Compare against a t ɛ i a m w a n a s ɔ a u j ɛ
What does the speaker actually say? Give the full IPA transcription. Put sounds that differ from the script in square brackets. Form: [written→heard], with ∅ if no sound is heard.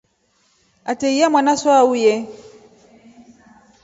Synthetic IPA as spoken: a t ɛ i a m w a n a s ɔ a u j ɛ